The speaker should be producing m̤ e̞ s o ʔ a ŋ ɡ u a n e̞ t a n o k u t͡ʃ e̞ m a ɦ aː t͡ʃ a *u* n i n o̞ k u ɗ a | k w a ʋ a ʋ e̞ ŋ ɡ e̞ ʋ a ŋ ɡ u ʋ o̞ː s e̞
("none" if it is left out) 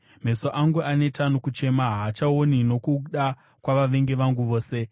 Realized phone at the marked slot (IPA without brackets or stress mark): o